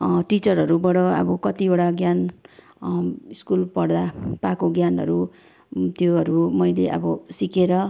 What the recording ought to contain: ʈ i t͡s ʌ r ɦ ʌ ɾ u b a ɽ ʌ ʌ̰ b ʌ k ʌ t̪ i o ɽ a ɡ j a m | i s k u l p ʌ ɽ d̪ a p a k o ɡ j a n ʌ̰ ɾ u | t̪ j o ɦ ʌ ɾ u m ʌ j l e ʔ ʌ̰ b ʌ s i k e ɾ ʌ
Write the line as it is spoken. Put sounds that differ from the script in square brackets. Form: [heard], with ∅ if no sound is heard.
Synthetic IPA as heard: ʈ i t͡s ʌ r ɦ ʌ ɾ u b [ʌ] ɽ ʌ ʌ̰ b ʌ k ʌ t̪ i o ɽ a ɡ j a [n] | i s k u l p ʌ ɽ d̪ a p a k o ɡ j a n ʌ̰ ɾ u | t̪ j o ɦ ʌ ɾ u m ʌ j l e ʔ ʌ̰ b ʌ s i k e ɾ ʌ

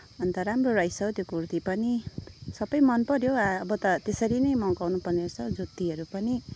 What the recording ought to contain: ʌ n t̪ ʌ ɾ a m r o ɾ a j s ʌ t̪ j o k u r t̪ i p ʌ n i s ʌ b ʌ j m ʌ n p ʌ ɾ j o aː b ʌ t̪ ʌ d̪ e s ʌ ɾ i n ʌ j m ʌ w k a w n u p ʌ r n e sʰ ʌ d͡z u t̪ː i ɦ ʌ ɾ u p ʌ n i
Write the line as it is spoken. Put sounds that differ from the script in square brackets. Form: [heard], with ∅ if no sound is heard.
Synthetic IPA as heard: ʌ n t̪ ʌ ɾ a m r o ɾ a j s ʌ t̪ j o k u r t̪ i p ʌ n i s ʌ b ʌ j m ʌ n p ʌ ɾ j o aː b ʌ t̪ ʌ [t̪] e s ʌ ɾ i n ʌ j m ʌ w k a w n u p ʌ r n e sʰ ʌ d͡z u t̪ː i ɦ ʌ ɾ u p ʌ n i

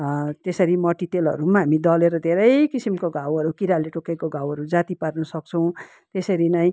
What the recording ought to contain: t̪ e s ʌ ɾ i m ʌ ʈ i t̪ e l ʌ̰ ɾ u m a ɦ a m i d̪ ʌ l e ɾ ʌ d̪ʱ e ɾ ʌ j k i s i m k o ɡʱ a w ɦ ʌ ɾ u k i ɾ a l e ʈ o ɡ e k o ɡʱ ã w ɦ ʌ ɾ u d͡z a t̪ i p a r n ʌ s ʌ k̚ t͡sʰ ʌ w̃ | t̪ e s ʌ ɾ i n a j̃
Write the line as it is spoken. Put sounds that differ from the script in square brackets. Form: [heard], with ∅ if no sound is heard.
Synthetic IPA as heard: t̪ e s ʌ ɾ i m ʌ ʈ i t̪ e l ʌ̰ ɾ u m a ɦ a m i d̪ ʌ l e ɾ ʌ d̪ʱ e ɾ ʌ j k i s i m k o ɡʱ a w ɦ ʌ ɾ u k i ɾ a l e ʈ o [k] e k o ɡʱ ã w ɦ ʌ ɾ u d͡z a t̪ i p a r n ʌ s ʌ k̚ t͡sʰ ʌ w̃ | t̪ e s ʌ ɾ i n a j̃

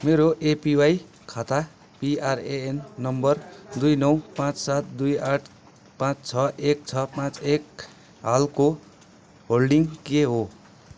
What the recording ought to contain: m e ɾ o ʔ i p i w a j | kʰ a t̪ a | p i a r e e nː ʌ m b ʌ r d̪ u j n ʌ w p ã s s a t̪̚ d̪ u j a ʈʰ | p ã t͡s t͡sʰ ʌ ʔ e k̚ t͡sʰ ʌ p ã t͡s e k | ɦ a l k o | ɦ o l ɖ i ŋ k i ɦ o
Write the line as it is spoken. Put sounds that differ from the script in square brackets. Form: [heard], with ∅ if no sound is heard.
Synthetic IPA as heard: m e ɾ o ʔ [e] p i w a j | kʰ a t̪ a | p i a r e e nː ʌ m b ʌ r d̪ u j n ʌ w p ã [t͡s] s a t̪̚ d̪ u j a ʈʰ | p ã t͡s t͡sʰ ʌ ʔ e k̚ t͡sʰ ʌ p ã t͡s e k | ɦ a l k o | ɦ o l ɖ i ŋ k [e] ɦ o

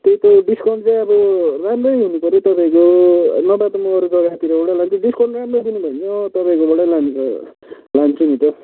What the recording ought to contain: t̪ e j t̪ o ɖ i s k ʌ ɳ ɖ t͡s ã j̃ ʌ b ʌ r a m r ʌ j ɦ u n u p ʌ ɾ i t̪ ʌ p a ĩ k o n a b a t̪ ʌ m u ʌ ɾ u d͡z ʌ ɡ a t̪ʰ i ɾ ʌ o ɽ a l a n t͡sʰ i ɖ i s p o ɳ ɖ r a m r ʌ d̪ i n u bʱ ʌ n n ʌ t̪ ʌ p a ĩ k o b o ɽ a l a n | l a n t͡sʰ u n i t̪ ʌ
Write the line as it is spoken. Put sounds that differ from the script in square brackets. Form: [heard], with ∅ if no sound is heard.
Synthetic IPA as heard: t̪ e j t̪ o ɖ i s k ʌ ɳ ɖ t͡s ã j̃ ʌ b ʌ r a m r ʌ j ɦ u n u p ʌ ɾ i t̪ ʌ p a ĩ k o n [ʌ] b a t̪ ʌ m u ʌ ɾ u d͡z ʌ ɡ a [t̪] i ɾ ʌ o ɽ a l a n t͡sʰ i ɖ i s [k] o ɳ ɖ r a m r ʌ d̪ i n u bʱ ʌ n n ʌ t̪ ʌ p a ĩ k o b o ɽ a l a n | l a n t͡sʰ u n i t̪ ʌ

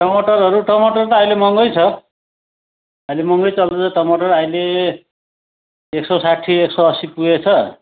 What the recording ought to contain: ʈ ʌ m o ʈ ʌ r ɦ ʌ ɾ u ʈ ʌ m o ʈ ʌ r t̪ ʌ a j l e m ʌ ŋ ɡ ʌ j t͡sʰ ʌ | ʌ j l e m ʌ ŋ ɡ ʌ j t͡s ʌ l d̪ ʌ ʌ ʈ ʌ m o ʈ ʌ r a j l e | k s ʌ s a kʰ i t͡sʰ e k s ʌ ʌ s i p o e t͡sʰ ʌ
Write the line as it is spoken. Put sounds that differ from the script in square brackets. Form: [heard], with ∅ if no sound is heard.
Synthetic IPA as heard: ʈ ʌ m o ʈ ʌ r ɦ ʌ ɾ u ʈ ʌ m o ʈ ʌ r t̪ ʌ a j l e m ʌ ŋ ɡ ʌ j t͡sʰ ʌ | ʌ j l e m ʌ ŋ ɡ ʌ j t͡s ʌ l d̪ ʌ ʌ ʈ ʌ m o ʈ ʌ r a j l e | k s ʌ s a [ʈʰ] i [∅] e k s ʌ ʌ s i p [u] e t͡sʰ ʌ

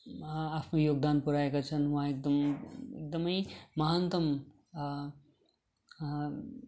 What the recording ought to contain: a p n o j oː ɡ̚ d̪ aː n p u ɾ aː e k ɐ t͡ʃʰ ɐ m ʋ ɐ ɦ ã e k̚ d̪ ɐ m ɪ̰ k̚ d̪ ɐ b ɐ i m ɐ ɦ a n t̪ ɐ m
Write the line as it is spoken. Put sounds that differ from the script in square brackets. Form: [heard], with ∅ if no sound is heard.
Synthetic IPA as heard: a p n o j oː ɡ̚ d̪ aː n p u ɾ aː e k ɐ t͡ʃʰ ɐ [n] ʋ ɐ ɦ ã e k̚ d̪ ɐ m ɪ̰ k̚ d̪ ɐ [m] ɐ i m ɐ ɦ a n t̪ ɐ m

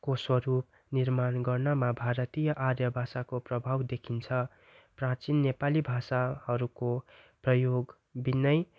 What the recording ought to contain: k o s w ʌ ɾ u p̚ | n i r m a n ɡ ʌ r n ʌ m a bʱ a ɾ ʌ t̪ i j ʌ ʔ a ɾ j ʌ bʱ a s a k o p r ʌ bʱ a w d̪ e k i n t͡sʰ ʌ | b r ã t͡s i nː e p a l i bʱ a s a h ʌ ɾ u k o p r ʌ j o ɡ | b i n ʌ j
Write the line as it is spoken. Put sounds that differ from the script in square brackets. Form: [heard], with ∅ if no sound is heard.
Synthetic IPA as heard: k o s w ʌ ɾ u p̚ | n i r m a n ɡ ʌ r n ʌ m a bʱ a ɾ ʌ t̪ i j ʌ ʔ a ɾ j ʌ bʱ a s a k o p r ʌ bʱ a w d̪ e [kʰ] i n t͡sʰ ʌ | [p] r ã t͡s i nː e p a l i bʱ a s a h ʌ ɾ u k o p r ʌ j o ɡ | b i n ʌ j

